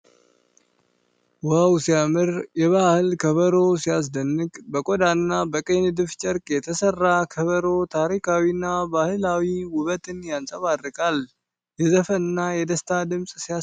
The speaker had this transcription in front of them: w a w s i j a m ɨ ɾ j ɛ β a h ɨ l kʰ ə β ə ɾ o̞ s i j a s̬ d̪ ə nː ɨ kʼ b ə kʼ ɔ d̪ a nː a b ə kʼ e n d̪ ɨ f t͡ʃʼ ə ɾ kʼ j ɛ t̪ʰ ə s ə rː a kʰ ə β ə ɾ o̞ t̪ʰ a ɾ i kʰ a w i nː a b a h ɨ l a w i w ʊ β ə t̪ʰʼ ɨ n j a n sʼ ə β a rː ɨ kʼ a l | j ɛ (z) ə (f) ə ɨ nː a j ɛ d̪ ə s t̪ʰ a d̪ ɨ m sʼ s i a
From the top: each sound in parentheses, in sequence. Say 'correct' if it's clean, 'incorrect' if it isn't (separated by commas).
correct, correct